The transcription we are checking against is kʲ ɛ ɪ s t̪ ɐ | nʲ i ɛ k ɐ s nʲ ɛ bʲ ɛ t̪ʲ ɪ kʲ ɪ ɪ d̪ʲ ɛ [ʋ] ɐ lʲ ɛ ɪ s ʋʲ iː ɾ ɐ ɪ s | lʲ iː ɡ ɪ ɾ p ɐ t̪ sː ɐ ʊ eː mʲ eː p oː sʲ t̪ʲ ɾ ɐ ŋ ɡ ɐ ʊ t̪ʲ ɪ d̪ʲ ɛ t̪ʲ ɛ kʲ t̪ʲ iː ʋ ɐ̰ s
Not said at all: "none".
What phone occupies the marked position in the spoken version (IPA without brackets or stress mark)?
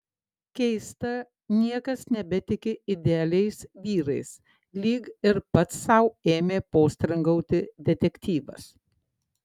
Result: none